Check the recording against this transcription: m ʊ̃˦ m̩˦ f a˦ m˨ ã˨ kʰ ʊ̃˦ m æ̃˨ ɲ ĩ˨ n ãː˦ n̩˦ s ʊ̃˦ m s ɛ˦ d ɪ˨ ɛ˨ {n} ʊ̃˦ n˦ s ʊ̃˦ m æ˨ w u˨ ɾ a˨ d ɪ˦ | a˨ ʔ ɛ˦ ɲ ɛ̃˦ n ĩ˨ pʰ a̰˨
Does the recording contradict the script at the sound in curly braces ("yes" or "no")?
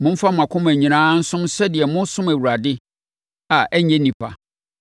yes